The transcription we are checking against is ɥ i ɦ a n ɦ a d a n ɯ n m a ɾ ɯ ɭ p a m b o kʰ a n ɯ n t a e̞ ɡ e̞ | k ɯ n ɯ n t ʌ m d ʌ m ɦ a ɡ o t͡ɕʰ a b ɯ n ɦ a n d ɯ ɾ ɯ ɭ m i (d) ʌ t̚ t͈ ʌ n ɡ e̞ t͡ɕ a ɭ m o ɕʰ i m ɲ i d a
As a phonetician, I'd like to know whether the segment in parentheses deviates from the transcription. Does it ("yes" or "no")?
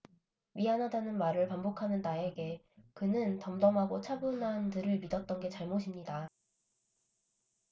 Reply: no